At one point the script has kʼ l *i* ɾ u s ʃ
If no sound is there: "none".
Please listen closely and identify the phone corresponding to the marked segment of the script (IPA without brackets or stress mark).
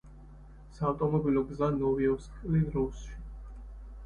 i